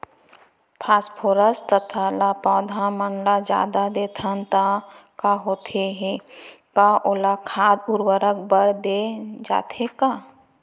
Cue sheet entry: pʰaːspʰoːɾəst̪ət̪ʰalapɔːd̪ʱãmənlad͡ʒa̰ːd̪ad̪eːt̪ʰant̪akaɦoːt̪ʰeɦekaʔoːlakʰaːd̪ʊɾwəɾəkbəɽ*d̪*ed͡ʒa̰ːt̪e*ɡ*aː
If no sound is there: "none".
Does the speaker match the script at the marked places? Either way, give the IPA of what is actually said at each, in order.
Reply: d̪, k

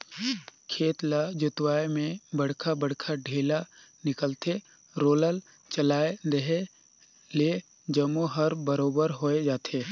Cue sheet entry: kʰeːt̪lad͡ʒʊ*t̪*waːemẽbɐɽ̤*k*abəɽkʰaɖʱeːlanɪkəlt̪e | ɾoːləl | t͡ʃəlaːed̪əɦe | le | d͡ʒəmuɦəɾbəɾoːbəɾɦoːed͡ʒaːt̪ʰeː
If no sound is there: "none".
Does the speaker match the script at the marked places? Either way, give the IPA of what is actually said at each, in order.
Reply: t̪, kʰ

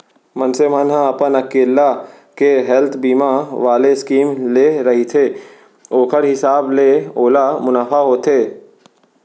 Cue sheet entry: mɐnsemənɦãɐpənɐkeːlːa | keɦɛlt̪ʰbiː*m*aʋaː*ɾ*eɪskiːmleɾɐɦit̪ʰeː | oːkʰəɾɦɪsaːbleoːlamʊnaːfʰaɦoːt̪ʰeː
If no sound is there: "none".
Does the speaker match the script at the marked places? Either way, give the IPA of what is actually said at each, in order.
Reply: m, l

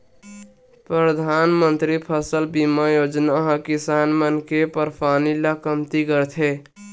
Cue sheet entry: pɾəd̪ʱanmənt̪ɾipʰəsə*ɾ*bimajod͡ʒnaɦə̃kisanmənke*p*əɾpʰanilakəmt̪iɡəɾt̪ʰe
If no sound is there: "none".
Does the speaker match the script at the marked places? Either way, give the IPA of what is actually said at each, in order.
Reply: l, p

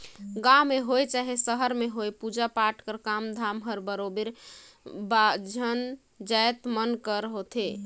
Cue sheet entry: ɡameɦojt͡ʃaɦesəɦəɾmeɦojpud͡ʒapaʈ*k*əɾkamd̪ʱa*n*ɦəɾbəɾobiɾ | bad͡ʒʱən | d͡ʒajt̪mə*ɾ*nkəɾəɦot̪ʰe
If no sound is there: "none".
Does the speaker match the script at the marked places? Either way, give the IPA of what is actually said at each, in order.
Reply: k, m, none

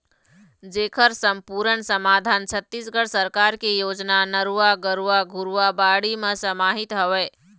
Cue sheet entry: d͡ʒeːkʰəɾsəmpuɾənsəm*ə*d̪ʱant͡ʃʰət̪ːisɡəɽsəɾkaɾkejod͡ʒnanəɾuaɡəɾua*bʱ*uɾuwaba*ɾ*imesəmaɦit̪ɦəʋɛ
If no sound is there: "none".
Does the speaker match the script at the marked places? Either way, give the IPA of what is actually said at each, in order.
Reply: a, ɡʱ, ɽ

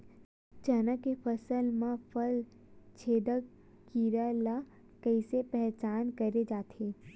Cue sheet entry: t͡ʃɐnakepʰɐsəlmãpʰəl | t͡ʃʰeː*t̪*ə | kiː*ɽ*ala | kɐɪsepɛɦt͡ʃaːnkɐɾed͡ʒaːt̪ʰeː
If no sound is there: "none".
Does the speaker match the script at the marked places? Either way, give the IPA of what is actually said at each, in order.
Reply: d̪, ɾ

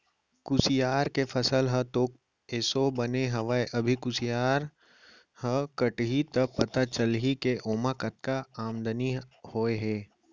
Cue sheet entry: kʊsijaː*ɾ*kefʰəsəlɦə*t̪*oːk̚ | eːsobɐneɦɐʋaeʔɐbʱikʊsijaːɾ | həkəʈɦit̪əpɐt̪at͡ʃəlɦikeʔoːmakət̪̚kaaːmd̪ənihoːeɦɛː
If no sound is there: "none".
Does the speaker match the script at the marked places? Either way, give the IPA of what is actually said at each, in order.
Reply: ɾ, t̪

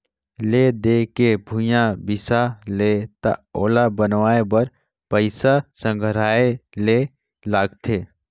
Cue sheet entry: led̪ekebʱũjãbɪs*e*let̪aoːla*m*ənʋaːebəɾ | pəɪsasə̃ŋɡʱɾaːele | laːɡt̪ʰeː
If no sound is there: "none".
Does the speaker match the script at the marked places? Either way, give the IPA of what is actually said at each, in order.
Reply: a, b

